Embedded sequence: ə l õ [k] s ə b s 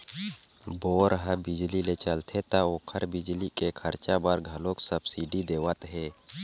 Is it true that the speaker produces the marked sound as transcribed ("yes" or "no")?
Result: yes